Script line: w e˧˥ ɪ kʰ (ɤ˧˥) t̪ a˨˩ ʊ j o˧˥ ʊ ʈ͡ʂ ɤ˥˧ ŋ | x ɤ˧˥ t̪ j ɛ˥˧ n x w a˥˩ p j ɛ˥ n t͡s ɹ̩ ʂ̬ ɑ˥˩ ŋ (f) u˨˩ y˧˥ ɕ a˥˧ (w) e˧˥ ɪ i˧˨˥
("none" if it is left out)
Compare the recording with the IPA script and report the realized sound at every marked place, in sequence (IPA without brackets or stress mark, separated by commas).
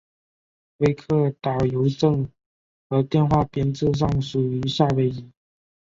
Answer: ɤ˥˩, ʂ, w